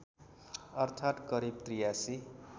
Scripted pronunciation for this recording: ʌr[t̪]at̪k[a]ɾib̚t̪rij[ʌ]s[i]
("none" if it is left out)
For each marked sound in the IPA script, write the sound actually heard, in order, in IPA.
t̪ʰ, ʌ, a, i

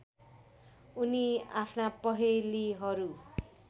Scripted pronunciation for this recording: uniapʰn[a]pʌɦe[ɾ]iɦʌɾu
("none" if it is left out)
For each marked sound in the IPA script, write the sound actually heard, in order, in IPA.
a, l

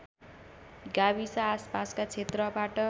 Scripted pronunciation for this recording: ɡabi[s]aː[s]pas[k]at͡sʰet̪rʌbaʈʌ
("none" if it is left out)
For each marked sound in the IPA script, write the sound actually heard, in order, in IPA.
s, s, k

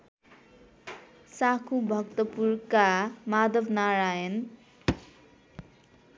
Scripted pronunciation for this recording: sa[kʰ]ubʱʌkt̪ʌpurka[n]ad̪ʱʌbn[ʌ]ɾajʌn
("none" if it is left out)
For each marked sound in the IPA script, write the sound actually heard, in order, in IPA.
kʰ, m, a

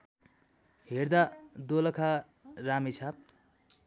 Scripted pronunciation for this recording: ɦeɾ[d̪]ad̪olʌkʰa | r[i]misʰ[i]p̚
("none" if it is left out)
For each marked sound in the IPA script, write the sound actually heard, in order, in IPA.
d̪, a, a

